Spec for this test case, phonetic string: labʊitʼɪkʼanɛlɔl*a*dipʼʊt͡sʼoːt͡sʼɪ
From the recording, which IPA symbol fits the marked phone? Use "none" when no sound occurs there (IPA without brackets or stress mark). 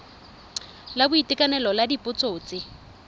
a